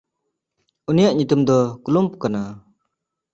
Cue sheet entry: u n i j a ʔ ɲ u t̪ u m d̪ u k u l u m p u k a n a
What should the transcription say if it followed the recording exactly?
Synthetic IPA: u n i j a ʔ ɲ u t̪ u m d̪ ɔ k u l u m p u k a n a